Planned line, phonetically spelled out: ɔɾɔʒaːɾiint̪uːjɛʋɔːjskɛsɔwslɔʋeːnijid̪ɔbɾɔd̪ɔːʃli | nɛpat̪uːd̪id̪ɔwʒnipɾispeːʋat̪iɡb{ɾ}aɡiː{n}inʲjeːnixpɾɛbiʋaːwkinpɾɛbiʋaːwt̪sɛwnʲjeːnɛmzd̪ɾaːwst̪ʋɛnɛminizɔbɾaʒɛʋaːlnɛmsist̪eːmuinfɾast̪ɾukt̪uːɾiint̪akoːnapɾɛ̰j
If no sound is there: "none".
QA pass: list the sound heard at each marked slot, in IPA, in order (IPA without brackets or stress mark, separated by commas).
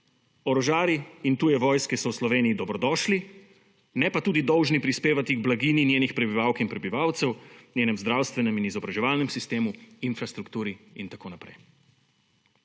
l, n